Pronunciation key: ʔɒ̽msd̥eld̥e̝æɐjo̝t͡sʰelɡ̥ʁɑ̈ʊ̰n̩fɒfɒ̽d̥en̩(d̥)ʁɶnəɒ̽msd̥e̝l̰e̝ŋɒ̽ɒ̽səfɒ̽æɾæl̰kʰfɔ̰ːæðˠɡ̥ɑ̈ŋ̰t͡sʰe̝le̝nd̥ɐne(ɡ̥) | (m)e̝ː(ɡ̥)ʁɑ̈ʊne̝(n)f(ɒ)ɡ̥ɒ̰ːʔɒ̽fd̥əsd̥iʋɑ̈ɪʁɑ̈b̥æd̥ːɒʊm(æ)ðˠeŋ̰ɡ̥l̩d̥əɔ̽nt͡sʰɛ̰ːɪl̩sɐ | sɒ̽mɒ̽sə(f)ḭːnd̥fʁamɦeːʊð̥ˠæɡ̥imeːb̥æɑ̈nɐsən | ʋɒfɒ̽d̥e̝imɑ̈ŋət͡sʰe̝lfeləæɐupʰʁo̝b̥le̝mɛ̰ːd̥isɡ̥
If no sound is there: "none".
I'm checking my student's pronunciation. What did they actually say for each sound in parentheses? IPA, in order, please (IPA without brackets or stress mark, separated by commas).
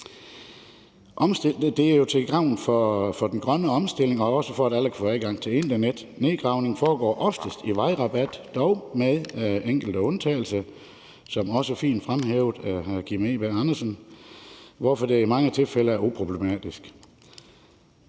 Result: ɡ̥, d̥, n, ɡ̥, ŋ, ɒː, e, f